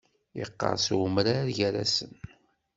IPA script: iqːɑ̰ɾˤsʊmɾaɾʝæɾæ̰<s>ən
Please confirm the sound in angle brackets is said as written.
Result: yes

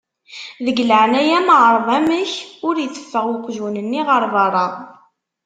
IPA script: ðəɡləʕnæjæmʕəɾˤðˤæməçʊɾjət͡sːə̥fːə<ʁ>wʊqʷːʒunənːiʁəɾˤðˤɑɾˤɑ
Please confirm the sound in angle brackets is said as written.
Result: yes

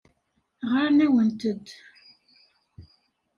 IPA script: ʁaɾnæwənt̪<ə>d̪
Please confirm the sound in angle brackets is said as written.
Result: yes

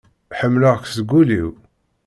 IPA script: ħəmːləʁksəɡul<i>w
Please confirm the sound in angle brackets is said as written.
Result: yes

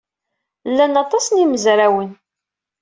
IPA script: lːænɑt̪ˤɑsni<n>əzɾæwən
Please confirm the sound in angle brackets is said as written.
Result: no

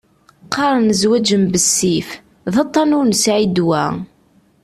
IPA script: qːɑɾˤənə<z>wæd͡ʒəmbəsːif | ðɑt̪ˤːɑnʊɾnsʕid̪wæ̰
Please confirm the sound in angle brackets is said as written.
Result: yes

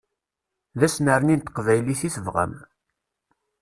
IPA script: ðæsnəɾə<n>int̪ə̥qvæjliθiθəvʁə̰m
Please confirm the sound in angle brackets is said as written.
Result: yes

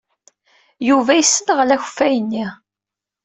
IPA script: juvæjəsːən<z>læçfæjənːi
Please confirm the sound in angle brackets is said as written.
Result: no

